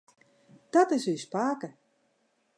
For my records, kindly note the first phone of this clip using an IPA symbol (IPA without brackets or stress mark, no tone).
d̥